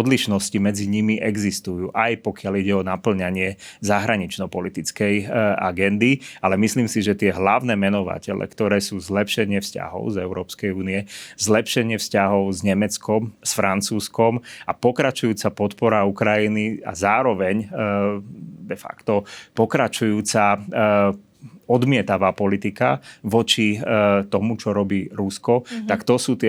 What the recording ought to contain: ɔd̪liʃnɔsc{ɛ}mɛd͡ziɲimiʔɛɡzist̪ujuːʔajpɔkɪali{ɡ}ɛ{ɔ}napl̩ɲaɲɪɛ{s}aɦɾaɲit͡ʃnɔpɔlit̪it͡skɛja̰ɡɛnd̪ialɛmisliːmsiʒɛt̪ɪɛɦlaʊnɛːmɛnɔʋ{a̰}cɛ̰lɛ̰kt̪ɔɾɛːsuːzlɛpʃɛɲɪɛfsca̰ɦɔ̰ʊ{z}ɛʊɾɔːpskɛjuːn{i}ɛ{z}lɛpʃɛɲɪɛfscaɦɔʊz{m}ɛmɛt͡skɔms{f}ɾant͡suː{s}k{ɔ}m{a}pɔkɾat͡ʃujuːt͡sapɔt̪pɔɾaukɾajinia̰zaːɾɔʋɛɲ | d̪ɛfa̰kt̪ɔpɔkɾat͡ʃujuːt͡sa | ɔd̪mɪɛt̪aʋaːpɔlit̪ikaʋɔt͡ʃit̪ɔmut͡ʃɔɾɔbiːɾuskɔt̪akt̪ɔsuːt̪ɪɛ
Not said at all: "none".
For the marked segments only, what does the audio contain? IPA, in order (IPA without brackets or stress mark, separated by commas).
i, ɟ, ɔ, z, a̰, z, i, z, ɲ, f, s, ɔ, a